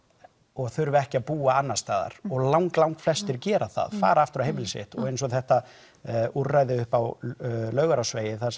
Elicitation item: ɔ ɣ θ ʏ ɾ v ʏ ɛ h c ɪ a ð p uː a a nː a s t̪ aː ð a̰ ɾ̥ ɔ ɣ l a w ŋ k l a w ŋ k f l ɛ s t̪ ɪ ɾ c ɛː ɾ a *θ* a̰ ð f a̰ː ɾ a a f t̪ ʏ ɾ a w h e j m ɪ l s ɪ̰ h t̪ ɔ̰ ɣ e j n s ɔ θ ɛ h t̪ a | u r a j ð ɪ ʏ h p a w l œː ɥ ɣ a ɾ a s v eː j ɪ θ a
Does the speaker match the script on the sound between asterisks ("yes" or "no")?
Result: yes